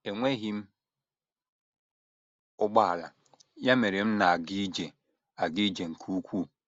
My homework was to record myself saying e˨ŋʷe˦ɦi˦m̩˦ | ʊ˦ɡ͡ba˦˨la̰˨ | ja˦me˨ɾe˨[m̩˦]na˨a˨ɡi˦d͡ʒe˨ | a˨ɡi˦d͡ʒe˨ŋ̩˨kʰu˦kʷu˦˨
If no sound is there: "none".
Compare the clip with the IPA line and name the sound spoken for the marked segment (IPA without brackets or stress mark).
m̩˦